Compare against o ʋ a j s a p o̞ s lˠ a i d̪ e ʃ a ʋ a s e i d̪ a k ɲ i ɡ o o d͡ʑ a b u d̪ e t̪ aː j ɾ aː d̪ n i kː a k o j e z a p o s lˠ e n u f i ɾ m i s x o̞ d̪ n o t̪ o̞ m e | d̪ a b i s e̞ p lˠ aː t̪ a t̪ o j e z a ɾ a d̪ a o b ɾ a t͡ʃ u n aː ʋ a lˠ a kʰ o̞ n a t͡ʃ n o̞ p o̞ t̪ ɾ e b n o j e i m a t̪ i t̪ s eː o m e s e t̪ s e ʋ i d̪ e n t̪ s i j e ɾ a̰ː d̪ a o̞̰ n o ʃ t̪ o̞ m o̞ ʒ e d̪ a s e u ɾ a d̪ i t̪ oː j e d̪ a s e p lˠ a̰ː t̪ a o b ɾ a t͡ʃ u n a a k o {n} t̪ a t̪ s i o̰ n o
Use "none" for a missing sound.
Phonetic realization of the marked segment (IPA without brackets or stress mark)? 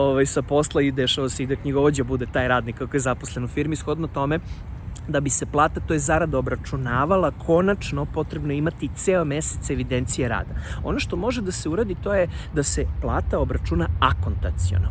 n